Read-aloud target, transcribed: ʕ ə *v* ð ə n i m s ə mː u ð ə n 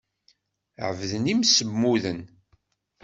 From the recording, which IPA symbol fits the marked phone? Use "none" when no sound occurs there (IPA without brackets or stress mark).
v